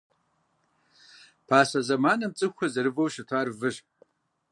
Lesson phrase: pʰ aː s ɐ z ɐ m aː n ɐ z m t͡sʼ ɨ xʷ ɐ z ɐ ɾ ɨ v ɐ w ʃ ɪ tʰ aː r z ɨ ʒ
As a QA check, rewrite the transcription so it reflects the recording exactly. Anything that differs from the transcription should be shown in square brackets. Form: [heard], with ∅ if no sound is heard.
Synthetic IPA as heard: pʰ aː s ɐ z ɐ m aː n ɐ [∅] m t͡sʼ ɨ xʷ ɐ z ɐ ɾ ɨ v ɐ w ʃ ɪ tʰ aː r [v] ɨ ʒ